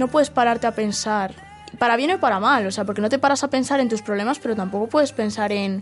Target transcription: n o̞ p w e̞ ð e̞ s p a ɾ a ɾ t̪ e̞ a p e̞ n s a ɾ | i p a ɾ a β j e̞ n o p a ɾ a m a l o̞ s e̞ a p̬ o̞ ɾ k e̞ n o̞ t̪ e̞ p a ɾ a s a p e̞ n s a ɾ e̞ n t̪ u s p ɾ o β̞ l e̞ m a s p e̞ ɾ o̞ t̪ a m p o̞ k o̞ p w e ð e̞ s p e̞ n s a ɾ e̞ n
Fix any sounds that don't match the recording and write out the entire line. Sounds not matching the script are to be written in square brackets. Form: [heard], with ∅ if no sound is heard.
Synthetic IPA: n o̞ p w e̞ ð e̞ s p a ɾ a ɾ t̪ e̞ a p e̞ n s a ɾ | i p a ɾ a β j e̞ n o p a ɾ a m a l o̞ s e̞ a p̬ o̞ ɾ k e̞ n o̞ t̪ e̞ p a ɾ a s a p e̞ n s a ɾ e̞ n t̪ u s p ɾ o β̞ l e̞ m a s p e̞ ɾ o̞ t̪ a m p o̞ k o̞ p w e ð e̞ s p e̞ n s a ɾ e̞ n